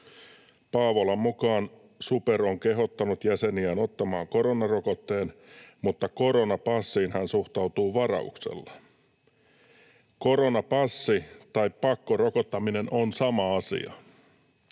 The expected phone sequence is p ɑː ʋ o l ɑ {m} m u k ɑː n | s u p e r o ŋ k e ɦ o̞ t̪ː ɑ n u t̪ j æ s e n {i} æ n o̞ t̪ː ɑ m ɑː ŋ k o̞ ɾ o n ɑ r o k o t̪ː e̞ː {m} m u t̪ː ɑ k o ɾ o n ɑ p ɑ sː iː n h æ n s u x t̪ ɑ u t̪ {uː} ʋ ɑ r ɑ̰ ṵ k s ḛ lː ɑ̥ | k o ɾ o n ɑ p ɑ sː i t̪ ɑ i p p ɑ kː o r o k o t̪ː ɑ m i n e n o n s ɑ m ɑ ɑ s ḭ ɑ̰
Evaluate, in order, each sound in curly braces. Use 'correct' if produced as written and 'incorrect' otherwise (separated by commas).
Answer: correct, correct, incorrect, correct